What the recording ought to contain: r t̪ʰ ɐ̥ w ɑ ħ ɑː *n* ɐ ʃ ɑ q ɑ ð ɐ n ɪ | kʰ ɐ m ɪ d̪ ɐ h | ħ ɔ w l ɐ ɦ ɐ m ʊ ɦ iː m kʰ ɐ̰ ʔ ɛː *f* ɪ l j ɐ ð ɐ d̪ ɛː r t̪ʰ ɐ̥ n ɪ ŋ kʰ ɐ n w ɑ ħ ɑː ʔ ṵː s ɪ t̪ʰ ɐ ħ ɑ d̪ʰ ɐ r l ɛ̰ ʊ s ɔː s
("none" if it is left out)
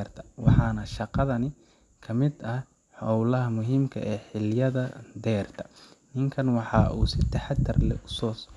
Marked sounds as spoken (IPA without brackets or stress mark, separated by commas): n, ħ